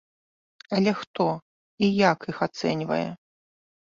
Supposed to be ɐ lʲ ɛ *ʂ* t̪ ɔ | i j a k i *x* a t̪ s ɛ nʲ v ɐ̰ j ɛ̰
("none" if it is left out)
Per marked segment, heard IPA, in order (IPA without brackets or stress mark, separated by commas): x, x